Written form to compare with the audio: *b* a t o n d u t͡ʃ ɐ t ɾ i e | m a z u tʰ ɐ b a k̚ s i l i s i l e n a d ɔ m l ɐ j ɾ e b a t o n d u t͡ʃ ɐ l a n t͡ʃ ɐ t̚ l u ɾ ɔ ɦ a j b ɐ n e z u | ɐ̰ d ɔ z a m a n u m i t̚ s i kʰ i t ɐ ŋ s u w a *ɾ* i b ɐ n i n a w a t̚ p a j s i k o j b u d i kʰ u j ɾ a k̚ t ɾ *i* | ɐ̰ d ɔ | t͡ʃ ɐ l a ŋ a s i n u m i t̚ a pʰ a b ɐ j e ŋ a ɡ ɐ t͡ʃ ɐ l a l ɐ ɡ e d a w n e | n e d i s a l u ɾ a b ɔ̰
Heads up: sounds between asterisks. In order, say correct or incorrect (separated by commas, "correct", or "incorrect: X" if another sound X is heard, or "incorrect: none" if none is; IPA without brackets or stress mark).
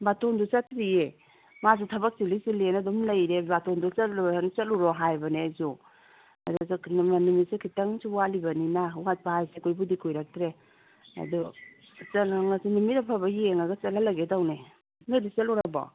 correct, incorrect: l, incorrect: e